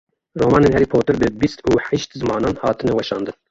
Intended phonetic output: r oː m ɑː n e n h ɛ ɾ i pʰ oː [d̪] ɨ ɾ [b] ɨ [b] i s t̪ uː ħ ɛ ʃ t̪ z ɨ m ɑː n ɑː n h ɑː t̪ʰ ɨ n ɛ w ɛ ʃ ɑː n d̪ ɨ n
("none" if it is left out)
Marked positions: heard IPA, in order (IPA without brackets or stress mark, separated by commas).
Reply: t̪, b, b